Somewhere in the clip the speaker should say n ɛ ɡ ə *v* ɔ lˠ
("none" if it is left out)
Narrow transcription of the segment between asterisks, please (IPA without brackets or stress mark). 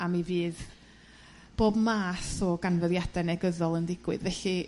ð